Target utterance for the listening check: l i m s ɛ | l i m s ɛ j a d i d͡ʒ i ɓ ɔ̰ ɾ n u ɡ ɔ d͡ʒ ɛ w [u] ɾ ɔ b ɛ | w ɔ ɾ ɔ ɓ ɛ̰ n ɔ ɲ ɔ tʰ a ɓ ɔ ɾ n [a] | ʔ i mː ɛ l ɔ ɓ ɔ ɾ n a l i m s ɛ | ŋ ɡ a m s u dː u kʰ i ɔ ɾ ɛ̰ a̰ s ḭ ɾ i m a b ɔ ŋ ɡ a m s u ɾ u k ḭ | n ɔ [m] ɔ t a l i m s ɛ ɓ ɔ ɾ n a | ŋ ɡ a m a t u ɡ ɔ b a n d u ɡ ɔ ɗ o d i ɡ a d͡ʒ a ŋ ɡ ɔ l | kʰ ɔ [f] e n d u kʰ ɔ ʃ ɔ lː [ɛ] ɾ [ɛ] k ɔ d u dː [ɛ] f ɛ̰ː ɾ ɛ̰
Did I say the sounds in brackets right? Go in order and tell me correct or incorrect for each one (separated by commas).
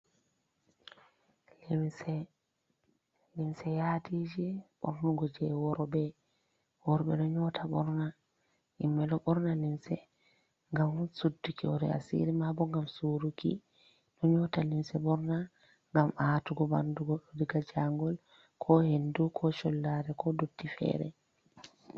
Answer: incorrect, correct, incorrect, incorrect, incorrect, correct, incorrect